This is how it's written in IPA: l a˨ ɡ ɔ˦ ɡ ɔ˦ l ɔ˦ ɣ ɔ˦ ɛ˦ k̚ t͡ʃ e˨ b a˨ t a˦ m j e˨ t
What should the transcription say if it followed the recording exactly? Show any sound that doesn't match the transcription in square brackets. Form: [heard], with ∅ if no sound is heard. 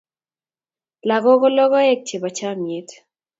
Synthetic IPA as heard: l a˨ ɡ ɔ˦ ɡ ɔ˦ l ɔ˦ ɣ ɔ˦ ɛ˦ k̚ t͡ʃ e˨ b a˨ [t͡ʃ] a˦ m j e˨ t

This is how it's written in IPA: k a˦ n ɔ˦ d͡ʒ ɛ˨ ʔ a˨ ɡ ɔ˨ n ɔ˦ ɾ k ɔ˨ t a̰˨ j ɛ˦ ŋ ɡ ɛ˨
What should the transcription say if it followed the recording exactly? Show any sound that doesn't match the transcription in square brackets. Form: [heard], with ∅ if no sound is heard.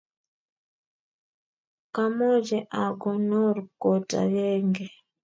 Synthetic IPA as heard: k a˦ [m] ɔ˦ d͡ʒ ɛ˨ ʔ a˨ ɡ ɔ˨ n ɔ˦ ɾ k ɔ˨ t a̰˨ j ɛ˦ ŋ ɡ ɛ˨

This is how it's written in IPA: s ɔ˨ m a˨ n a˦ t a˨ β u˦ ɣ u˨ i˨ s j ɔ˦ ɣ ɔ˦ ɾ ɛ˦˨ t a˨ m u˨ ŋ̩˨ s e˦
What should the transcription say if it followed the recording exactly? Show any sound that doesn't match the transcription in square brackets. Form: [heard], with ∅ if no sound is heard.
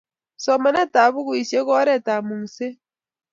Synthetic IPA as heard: s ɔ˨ m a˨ n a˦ t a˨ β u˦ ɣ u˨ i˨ s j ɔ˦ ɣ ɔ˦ ɾ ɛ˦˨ t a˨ m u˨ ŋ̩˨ s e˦

